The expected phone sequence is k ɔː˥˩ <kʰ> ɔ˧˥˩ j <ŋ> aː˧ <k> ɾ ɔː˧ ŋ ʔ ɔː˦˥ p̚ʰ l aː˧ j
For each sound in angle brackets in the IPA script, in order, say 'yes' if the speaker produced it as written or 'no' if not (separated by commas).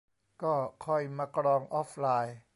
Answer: yes, no, yes